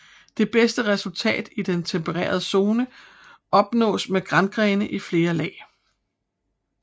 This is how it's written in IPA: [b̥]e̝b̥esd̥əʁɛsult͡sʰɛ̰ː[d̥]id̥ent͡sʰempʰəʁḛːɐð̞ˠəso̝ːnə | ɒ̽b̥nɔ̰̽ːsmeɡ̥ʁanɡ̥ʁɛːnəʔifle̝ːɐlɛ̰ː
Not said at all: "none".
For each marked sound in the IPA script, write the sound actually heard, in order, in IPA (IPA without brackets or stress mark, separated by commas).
d̥, d̥